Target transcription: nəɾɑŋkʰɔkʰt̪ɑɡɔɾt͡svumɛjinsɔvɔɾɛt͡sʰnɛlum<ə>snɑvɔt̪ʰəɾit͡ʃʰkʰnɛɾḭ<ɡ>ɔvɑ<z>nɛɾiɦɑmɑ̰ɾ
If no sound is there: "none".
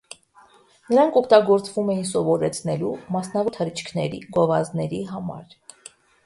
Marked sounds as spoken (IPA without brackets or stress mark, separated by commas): ɑ, ɡ, z